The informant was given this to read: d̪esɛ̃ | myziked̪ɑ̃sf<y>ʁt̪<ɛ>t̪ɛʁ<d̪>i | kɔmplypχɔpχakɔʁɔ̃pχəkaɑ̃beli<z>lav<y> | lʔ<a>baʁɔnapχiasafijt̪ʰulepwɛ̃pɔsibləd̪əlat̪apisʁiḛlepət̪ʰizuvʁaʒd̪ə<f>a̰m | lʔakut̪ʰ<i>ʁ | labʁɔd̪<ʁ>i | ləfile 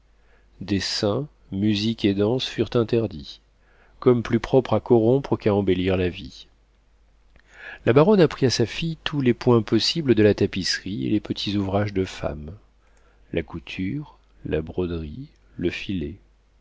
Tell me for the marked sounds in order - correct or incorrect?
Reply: correct, incorrect, correct, incorrect, incorrect, correct, correct, incorrect, correct

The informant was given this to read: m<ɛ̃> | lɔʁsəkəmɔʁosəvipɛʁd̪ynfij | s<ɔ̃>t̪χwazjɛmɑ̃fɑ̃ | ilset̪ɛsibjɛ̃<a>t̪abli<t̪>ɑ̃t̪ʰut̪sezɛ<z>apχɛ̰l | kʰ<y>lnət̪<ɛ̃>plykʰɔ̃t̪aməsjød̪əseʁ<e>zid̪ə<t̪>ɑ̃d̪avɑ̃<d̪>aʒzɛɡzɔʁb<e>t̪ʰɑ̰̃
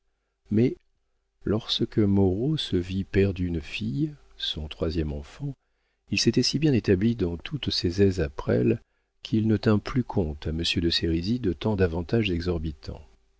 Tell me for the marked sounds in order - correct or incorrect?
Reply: incorrect, correct, incorrect, incorrect, correct, incorrect, correct, incorrect, correct, incorrect, incorrect

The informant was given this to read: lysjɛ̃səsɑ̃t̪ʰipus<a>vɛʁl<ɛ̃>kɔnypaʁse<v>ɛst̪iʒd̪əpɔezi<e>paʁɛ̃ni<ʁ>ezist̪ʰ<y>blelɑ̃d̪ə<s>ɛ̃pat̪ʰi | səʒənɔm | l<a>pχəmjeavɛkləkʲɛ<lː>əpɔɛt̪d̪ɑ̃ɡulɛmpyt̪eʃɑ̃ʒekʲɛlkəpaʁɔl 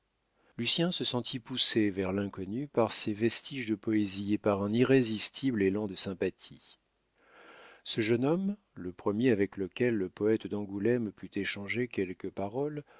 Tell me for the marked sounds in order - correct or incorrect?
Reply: incorrect, correct, correct, correct, correct, incorrect, correct, incorrect, correct

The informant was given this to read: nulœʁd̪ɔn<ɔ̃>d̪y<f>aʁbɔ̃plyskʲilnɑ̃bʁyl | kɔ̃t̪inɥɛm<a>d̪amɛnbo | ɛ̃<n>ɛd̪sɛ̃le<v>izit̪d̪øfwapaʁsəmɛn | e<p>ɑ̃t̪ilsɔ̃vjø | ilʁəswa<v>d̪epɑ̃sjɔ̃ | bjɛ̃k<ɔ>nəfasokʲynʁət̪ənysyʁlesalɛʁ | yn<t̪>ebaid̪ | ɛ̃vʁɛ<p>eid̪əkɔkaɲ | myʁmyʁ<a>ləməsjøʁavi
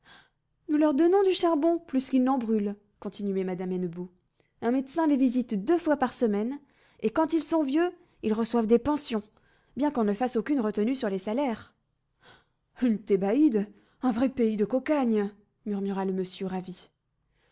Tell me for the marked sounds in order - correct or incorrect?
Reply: correct, incorrect, correct, incorrect, correct, incorrect, correct, incorrect, correct, correct, correct

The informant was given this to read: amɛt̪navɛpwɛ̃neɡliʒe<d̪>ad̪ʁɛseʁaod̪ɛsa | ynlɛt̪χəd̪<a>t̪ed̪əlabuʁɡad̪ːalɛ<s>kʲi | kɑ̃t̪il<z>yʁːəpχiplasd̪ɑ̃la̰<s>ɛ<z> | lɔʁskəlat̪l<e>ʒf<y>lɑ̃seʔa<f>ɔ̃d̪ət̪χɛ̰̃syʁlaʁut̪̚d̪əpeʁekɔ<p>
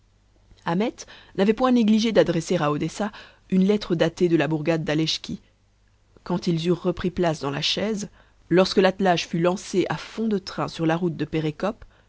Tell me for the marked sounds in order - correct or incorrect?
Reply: correct, correct, incorrect, correct, incorrect, correct, incorrect, correct, correct, correct

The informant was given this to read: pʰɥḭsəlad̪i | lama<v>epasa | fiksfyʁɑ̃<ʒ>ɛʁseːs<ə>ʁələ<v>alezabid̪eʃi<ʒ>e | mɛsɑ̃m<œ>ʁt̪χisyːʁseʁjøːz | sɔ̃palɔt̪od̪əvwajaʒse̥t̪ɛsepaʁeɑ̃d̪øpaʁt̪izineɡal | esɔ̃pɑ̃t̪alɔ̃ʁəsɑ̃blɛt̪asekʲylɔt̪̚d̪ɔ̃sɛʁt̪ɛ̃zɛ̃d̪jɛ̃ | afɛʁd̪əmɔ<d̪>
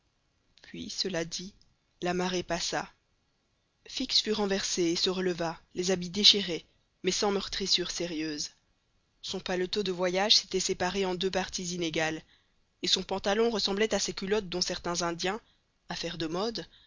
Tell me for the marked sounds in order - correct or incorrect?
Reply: incorrect, incorrect, correct, correct, incorrect, correct, correct

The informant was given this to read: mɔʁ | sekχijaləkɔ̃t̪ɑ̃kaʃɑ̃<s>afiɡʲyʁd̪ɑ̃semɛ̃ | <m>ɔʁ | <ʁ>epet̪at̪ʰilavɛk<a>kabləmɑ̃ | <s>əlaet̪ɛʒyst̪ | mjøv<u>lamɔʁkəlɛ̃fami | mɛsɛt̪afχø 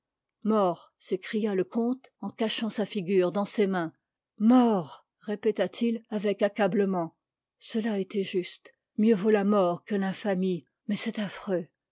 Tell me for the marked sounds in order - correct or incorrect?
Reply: correct, correct, correct, correct, correct, incorrect

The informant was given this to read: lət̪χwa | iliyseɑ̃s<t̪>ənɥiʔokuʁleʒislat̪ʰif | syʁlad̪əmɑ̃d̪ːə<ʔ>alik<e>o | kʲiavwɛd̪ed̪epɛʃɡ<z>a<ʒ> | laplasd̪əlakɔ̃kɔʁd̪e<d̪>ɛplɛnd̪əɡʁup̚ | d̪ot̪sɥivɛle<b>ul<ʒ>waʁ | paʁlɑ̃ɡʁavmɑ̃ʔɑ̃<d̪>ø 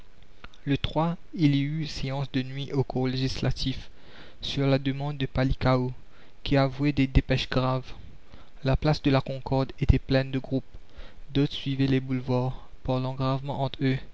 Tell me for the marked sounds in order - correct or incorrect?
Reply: incorrect, incorrect, incorrect, incorrect, incorrect, incorrect, correct, incorrect, incorrect

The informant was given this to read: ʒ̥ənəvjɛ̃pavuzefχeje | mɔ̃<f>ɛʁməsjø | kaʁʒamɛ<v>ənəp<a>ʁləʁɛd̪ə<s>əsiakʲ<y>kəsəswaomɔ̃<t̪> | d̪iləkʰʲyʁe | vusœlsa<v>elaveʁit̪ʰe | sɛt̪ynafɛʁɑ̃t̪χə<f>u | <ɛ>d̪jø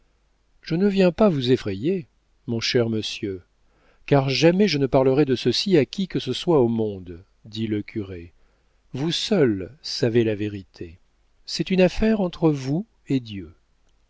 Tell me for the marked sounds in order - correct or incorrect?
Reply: incorrect, incorrect, correct, correct, incorrect, incorrect, correct, incorrect, incorrect

